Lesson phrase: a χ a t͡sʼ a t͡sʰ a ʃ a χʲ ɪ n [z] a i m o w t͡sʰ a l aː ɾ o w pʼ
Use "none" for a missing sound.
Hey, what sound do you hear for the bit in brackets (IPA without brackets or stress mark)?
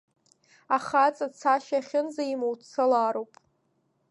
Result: z